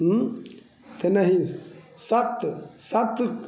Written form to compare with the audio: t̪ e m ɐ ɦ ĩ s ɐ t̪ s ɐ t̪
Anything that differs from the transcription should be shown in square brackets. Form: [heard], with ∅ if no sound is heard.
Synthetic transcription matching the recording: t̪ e [n] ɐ ɦ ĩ s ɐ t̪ s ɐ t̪